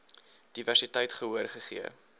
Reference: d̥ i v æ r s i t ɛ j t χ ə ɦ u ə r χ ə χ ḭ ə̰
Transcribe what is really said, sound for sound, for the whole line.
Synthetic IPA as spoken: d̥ i v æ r s i t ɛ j t χ ə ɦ u ə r χ ə χ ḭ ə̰